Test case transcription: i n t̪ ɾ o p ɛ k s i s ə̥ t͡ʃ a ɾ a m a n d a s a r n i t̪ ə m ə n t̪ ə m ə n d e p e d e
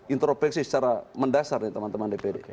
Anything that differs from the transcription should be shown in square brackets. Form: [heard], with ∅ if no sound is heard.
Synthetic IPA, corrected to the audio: i n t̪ ɾ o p ɛ k s i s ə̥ t͡ʃ a ɾ a m [ə] n d a s a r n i t̪ ə m [a] n t̪ ə m [a] n d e p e d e